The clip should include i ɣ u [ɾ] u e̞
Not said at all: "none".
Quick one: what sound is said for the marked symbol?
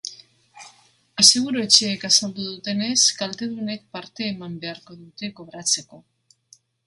ɾ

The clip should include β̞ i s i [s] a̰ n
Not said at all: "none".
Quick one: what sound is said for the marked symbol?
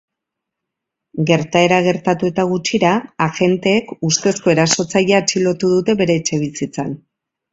t͡s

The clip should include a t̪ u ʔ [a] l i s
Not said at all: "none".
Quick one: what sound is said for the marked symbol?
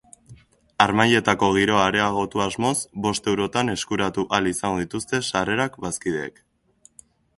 a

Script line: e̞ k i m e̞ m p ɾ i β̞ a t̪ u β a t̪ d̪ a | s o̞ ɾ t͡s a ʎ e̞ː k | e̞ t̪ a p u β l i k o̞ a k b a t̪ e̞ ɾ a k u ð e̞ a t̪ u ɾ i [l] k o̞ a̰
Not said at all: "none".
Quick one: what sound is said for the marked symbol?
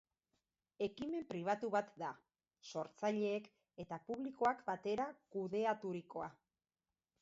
none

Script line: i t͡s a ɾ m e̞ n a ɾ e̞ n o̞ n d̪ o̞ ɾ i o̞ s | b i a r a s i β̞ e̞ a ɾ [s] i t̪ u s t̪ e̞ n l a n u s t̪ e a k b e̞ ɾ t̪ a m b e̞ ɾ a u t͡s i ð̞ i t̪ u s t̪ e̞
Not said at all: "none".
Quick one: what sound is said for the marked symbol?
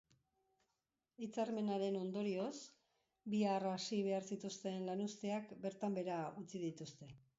s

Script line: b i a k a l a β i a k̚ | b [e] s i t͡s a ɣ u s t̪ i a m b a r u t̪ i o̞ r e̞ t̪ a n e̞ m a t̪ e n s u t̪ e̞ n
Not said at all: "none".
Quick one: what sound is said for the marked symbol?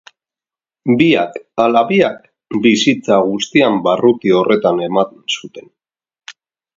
i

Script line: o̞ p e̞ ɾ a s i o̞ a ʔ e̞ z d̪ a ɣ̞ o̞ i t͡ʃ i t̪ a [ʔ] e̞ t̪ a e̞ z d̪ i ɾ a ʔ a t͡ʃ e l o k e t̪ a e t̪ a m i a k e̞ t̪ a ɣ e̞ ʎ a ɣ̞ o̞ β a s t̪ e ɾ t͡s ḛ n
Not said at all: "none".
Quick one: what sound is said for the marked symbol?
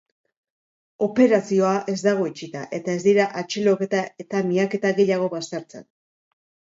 ʔ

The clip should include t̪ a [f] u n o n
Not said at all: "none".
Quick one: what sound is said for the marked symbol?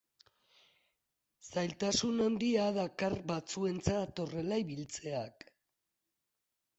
s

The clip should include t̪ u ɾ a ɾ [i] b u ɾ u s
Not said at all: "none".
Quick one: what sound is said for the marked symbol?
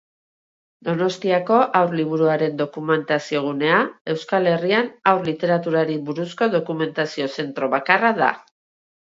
i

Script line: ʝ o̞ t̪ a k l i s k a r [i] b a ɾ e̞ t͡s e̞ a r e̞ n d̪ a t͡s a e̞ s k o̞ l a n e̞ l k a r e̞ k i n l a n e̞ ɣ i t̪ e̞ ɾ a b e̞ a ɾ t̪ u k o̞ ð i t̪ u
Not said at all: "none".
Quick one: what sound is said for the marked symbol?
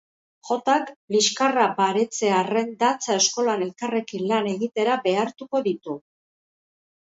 a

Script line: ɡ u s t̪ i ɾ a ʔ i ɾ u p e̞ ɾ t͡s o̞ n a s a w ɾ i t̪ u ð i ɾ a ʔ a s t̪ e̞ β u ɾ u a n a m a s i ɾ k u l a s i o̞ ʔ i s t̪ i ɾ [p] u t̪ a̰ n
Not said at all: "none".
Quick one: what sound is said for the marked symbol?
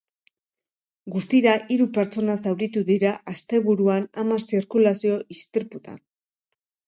p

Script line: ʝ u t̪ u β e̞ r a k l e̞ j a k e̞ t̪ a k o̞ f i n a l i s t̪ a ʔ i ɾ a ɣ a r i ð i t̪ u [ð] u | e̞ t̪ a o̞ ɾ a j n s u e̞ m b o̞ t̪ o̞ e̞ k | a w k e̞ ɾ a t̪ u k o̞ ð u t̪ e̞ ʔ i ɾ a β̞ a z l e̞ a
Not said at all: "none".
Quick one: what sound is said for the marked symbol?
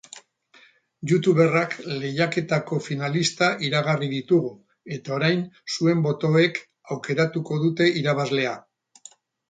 ɣ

